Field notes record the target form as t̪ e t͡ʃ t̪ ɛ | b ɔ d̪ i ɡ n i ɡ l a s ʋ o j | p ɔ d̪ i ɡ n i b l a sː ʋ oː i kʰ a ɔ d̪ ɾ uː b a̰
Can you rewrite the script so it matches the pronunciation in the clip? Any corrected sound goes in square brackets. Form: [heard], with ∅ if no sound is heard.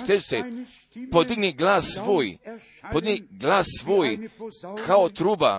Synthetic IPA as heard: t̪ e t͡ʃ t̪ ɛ | [p] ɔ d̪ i ɡ n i ɡ l a s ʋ o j | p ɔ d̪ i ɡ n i [ɡ] l a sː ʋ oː [j] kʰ a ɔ [t̪] ɾ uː b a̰